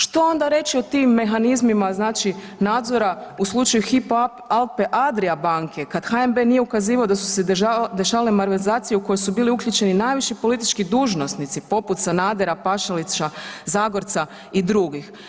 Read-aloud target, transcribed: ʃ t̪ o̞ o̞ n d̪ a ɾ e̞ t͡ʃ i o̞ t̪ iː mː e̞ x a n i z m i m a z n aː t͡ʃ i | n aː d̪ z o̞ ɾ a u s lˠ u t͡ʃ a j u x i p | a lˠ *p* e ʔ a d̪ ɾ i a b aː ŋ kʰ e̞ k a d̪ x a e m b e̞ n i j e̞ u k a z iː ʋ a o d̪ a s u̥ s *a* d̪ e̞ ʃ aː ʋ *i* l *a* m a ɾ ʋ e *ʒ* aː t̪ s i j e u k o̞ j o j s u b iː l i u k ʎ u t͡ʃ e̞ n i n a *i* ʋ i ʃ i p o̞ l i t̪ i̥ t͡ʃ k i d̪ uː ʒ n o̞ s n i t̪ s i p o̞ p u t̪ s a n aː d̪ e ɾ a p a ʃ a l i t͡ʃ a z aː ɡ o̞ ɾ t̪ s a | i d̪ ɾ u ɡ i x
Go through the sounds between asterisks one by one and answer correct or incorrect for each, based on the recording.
correct, incorrect, incorrect, incorrect, incorrect, incorrect

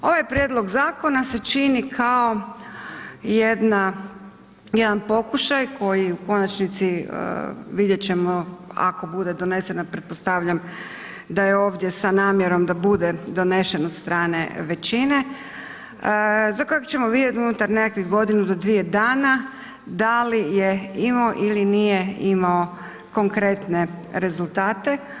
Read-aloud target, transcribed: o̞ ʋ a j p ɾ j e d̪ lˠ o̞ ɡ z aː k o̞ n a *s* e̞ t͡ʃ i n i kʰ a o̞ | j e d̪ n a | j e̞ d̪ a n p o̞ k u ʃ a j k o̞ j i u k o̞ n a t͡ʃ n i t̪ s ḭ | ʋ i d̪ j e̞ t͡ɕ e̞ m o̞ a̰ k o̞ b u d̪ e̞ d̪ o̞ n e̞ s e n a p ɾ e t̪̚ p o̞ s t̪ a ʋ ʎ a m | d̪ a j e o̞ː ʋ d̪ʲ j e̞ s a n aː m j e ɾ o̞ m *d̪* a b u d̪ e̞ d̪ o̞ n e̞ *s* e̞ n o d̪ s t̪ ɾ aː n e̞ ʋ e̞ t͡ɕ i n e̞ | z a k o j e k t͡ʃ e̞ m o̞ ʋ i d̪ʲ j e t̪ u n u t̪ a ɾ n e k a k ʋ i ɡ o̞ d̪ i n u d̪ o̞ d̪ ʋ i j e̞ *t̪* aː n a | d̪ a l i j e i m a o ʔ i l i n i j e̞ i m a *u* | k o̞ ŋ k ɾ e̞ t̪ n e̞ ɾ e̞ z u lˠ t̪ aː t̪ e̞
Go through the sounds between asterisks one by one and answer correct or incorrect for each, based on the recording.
correct, correct, incorrect, incorrect, incorrect

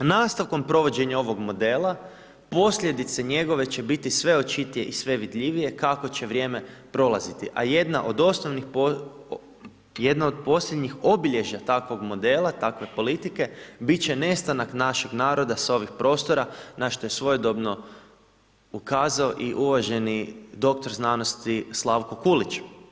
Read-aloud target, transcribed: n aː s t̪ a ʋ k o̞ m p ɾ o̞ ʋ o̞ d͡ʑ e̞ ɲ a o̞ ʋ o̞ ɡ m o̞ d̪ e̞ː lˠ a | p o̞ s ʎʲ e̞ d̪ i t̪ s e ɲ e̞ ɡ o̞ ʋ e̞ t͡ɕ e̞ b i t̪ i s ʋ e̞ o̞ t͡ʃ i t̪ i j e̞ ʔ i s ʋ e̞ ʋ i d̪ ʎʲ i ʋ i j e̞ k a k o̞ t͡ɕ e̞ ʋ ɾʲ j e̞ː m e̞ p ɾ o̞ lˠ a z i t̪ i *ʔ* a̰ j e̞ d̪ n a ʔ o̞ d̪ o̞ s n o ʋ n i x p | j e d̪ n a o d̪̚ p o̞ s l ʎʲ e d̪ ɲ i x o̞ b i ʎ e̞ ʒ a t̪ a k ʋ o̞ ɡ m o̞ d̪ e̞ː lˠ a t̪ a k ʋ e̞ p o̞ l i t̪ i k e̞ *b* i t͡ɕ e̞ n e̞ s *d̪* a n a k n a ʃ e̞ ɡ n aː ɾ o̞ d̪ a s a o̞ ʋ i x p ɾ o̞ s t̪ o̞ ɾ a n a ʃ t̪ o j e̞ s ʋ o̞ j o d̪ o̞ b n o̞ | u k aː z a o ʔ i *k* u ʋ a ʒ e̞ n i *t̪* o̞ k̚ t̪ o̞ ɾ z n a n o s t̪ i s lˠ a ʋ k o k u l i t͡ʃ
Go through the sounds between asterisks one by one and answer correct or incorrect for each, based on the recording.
correct, correct, incorrect, incorrect, incorrect

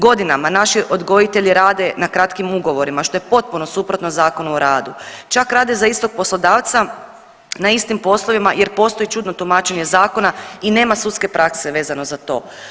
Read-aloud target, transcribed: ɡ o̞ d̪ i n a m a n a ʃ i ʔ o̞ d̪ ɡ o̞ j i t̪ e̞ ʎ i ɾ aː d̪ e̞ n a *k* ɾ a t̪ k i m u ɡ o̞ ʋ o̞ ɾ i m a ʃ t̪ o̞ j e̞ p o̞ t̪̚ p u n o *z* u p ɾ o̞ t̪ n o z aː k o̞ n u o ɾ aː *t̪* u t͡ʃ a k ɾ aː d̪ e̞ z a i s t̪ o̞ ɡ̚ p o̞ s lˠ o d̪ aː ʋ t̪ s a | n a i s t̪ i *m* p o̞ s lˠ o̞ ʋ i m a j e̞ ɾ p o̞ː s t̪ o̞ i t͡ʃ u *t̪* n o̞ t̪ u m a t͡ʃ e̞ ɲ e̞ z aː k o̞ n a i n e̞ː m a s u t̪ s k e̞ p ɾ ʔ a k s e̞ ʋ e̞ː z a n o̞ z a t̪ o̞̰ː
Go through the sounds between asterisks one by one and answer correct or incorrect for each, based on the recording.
correct, incorrect, incorrect, correct, incorrect

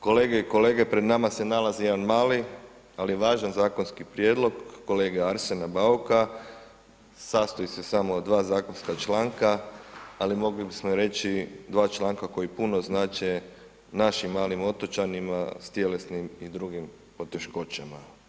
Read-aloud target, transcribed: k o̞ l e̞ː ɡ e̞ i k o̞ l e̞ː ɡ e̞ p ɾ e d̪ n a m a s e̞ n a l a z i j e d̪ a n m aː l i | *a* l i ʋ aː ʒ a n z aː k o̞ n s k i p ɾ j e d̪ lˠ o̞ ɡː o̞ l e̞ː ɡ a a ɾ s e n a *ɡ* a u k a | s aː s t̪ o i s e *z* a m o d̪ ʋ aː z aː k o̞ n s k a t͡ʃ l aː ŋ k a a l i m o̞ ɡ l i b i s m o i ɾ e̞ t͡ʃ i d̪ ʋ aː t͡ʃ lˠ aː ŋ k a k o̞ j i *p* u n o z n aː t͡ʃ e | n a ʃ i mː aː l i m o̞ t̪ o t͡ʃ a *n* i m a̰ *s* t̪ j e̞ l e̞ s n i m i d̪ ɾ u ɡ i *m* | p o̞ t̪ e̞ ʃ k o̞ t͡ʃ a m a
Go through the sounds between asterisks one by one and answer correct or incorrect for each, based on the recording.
correct, incorrect, incorrect, correct, correct, correct, correct

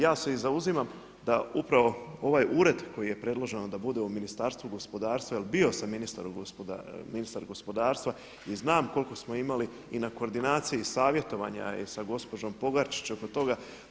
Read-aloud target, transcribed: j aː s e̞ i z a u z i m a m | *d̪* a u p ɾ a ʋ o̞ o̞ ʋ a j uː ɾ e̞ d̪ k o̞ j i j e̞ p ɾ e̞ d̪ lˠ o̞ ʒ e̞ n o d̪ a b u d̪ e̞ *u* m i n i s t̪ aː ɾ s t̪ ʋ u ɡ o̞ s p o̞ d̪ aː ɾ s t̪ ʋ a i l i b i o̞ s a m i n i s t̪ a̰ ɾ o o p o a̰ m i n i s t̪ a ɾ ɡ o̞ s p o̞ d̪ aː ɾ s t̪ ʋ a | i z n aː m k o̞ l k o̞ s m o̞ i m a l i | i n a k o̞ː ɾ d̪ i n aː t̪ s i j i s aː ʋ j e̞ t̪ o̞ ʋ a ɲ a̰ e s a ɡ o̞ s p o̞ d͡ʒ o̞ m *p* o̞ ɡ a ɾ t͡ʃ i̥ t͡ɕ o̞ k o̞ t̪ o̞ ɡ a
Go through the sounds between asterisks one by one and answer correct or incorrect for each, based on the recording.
correct, correct, correct

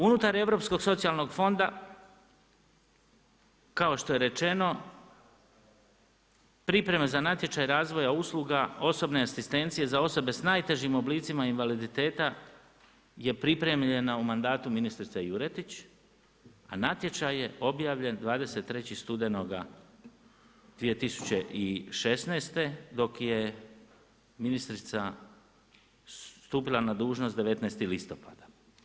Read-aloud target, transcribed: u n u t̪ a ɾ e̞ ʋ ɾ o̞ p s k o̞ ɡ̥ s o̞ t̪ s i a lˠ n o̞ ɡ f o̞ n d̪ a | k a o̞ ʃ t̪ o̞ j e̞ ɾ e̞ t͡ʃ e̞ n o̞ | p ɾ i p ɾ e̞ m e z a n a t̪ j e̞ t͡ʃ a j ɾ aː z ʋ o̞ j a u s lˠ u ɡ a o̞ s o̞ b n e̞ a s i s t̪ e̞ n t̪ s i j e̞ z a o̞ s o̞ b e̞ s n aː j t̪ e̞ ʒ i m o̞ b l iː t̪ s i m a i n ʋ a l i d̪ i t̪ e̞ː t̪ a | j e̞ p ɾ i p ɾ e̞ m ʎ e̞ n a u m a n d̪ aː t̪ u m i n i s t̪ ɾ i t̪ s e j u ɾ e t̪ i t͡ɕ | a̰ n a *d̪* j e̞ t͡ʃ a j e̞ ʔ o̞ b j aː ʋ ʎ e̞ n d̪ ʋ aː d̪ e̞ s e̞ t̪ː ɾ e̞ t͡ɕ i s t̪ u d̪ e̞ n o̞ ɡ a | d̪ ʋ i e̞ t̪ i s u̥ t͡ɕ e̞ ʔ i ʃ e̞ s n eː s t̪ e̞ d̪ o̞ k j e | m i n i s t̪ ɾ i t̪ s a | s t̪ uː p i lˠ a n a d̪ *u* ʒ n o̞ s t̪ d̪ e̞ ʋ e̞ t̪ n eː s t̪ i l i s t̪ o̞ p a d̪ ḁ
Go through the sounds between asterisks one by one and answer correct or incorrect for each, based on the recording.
incorrect, incorrect

